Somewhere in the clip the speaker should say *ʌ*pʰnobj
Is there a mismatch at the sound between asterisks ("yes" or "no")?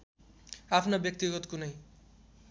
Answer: yes